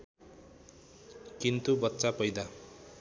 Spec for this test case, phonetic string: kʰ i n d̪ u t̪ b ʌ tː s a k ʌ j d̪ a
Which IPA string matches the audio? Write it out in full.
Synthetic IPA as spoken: k i n t̪ u b ʌ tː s a p ʌ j d̪ a